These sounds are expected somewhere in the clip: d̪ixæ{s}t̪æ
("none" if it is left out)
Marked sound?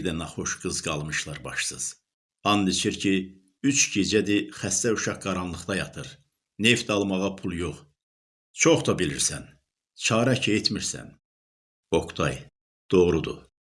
s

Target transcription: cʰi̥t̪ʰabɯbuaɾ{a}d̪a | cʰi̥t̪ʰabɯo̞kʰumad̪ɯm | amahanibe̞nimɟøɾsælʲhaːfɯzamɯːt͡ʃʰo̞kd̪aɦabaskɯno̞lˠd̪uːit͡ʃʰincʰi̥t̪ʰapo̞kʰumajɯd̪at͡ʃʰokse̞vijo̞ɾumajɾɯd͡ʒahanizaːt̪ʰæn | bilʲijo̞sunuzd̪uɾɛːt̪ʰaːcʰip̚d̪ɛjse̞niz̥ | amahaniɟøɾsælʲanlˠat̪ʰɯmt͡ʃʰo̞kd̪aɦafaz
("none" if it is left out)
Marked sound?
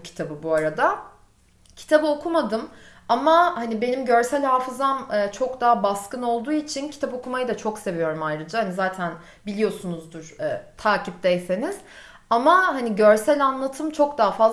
a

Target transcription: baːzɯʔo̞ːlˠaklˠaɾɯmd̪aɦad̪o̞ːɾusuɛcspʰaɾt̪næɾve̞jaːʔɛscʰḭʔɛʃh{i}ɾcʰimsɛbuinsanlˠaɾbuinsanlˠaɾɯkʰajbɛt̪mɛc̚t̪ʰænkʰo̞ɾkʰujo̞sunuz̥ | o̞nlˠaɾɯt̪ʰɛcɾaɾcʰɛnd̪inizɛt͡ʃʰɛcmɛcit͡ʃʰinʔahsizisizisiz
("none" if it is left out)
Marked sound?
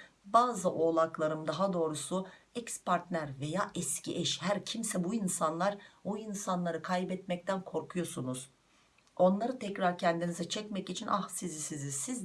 æ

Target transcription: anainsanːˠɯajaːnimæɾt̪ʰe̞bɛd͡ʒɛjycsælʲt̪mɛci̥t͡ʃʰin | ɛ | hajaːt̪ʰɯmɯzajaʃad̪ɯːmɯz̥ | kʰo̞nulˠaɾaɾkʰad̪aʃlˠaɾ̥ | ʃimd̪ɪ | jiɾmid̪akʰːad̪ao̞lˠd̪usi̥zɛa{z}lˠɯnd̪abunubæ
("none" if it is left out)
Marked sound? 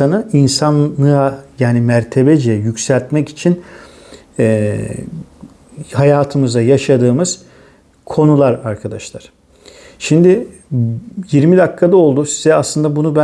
s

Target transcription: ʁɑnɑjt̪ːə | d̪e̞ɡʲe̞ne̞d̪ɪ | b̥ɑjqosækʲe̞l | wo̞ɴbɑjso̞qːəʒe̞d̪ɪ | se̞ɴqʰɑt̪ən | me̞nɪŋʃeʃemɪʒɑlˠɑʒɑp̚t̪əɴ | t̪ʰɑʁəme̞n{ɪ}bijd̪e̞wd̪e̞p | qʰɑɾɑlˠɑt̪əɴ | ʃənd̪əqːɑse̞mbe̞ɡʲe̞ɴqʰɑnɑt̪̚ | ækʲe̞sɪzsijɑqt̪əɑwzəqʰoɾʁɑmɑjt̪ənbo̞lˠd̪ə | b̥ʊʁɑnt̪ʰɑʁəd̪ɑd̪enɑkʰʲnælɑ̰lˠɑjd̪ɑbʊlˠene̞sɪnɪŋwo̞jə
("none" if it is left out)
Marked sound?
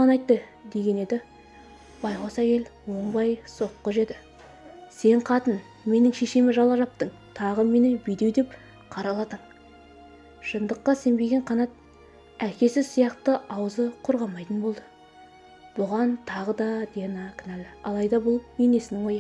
ɪ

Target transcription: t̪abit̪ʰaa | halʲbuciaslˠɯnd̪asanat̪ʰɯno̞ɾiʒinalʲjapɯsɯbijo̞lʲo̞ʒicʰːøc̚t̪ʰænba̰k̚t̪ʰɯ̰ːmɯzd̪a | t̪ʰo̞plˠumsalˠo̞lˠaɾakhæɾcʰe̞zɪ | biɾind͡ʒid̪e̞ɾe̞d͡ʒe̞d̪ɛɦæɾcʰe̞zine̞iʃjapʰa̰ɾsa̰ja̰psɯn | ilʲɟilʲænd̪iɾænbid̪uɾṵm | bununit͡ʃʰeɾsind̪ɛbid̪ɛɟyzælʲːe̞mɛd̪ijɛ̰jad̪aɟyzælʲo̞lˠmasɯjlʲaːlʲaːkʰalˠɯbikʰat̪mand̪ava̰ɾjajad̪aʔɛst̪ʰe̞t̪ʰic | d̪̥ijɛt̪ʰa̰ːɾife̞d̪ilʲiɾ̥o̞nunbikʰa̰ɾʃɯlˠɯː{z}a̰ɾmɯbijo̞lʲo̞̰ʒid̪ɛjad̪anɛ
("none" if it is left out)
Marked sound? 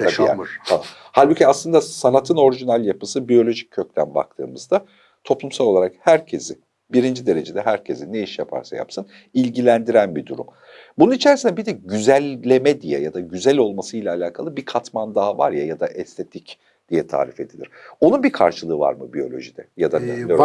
v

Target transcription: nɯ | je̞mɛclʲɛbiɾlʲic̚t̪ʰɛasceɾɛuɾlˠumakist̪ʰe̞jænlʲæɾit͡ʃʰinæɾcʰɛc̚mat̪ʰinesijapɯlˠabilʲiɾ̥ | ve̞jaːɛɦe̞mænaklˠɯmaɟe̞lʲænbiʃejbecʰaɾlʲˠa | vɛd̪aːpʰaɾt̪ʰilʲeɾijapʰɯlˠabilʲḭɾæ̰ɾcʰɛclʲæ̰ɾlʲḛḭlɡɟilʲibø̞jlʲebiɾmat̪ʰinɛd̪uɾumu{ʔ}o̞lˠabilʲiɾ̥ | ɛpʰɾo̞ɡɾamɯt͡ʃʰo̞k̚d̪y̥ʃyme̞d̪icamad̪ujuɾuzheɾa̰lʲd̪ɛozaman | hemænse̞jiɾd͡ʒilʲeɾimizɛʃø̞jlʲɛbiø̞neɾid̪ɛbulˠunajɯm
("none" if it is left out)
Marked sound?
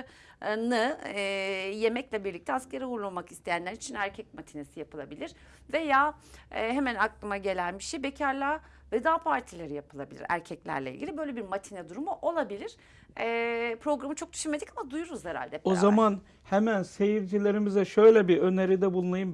ʔ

